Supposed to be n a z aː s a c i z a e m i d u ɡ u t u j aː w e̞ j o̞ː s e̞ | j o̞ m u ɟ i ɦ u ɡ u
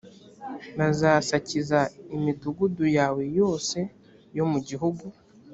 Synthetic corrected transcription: n a z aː s a c i z a i m i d u ɡ u d u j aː w e̞ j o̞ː s e̞ | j o̞ m u ɟ i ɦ u ɡ u